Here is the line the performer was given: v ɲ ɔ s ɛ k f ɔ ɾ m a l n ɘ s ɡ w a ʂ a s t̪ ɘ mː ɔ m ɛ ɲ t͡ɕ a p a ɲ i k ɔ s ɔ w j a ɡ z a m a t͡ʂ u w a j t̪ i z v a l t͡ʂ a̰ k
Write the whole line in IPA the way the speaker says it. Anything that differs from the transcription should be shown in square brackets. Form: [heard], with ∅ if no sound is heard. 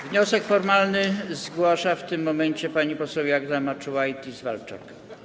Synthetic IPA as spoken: v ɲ ɔ s ɛ k f ɔ ɾ m a l n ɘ [z] ɡ w a ʂ a [f] t̪ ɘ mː ɔ m ɛ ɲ t͡ɕ [ɛ] p a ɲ i [p] ɔ s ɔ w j a ɡ z a m a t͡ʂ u w a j t̪ i z v a l t͡ʂ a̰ k